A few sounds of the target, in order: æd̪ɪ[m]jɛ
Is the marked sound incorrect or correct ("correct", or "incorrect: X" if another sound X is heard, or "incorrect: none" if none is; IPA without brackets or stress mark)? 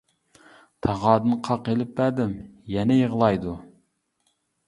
correct